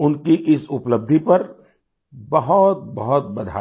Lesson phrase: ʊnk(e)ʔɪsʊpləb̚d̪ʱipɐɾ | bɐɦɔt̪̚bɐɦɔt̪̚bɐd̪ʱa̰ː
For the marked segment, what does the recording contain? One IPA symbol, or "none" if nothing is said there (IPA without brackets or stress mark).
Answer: i